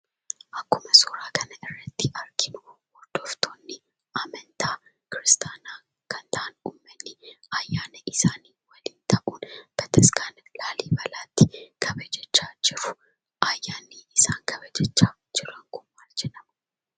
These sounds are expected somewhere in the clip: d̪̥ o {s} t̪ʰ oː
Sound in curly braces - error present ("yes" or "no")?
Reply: yes